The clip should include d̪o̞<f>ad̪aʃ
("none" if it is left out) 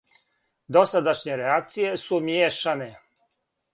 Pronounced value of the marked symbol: s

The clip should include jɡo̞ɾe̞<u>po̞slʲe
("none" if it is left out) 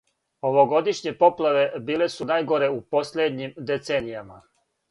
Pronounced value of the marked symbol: u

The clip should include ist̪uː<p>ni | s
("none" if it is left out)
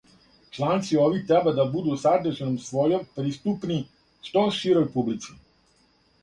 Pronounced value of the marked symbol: p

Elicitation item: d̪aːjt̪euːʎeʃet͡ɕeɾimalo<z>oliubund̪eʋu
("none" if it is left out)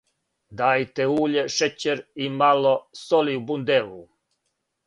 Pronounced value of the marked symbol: s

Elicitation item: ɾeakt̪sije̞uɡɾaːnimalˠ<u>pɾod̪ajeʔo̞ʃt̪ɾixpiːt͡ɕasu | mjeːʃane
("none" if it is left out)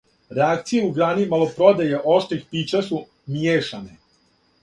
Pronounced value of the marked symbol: o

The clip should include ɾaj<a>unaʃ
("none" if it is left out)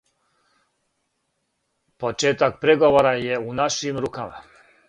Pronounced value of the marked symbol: e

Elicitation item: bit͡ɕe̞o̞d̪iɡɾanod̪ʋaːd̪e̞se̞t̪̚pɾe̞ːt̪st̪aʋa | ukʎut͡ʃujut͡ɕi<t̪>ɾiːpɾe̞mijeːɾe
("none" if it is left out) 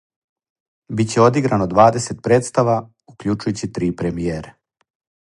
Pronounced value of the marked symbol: t̪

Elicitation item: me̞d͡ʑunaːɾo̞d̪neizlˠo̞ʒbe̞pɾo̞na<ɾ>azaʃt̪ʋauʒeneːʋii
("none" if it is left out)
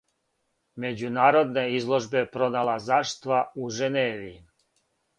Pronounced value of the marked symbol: l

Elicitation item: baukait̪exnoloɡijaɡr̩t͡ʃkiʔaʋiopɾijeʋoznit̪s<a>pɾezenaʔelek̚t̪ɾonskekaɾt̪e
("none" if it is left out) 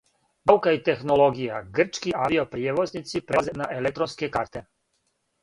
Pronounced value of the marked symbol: i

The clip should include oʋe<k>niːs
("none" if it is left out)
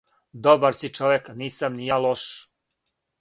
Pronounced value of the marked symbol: k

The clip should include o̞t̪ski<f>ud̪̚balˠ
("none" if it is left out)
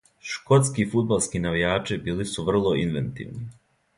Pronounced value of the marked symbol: f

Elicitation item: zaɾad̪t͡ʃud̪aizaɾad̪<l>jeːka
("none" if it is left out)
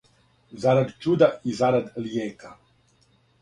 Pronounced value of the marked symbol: l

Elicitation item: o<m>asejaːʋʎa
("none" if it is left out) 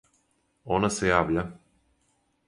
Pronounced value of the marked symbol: n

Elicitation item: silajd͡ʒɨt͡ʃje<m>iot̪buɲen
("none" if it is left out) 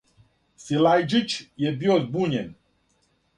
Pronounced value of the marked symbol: b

